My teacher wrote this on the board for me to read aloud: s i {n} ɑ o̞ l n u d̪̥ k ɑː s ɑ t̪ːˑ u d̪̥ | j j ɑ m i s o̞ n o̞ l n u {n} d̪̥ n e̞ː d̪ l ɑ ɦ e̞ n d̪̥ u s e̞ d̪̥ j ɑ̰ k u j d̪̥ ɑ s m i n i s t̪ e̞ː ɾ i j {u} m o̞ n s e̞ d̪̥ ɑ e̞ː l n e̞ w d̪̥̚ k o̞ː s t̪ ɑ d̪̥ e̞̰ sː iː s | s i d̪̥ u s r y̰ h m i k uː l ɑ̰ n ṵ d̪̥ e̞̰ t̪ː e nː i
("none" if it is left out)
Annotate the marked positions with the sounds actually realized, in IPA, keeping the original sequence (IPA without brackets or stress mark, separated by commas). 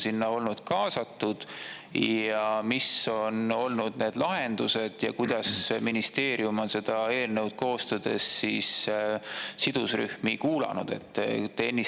nː, none, u